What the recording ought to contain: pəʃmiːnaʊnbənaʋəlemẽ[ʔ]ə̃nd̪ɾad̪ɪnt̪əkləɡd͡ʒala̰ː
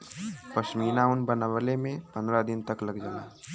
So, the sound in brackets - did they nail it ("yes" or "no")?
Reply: no